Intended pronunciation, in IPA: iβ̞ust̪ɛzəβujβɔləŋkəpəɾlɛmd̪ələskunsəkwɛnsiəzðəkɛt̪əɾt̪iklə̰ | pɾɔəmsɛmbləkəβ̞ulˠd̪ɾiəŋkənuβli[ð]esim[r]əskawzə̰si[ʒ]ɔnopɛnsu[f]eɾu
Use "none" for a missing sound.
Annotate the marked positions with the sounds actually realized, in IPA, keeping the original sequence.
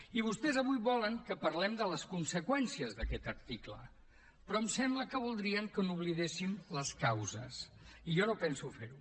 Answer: ð, l, ʒ, f

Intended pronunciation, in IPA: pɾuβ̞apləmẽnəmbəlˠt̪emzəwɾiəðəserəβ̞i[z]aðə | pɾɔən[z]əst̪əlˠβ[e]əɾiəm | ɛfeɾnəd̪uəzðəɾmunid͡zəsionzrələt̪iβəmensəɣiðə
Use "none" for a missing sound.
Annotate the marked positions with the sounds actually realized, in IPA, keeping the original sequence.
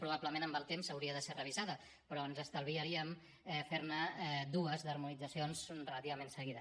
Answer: z, z, i

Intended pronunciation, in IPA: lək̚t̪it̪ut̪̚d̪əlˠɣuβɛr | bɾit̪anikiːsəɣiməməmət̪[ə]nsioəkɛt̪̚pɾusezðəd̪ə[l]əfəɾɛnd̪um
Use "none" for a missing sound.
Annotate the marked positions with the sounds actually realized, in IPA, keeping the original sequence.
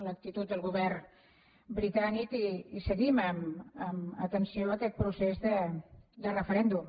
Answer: ə, r

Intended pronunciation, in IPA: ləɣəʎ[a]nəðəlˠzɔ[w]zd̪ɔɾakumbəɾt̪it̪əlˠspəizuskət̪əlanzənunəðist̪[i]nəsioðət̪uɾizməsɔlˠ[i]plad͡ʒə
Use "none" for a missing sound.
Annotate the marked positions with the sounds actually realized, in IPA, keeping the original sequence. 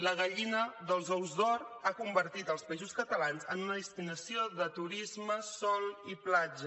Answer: i, w, i, i

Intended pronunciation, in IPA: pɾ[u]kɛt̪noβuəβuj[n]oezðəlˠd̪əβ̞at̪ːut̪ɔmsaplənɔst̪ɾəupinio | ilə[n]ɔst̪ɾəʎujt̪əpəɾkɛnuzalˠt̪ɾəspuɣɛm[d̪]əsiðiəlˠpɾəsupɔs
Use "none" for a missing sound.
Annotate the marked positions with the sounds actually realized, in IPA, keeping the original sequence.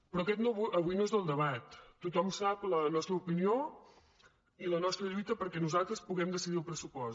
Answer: ɔ, n, n, d̪

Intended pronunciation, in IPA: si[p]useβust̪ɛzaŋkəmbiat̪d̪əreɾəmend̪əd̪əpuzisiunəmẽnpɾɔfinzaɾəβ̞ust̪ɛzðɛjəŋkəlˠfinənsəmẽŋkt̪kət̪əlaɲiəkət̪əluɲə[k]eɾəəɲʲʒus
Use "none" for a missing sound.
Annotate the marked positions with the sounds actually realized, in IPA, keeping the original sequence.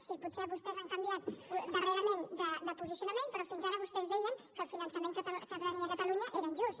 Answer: p, ʔ

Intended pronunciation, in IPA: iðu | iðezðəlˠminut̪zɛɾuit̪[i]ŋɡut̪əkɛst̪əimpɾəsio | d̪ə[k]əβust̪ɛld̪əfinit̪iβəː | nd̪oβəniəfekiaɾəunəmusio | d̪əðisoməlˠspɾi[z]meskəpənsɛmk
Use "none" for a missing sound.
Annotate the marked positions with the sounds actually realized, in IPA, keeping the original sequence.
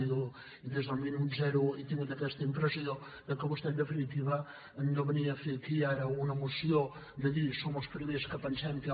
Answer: i, k, none

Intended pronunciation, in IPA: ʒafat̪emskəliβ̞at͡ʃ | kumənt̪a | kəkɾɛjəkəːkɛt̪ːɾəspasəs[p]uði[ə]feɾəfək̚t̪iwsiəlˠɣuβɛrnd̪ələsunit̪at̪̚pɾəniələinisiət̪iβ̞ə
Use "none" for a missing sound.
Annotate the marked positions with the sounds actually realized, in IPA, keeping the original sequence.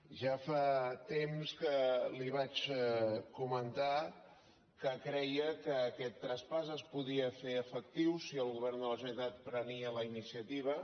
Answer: p, ə

